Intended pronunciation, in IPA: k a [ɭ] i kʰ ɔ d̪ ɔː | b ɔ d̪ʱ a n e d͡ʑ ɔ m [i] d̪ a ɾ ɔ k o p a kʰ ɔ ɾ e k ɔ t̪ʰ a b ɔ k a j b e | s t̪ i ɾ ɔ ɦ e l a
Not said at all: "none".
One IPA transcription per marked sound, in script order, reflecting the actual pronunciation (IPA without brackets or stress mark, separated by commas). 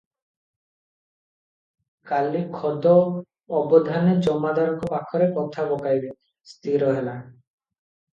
l, a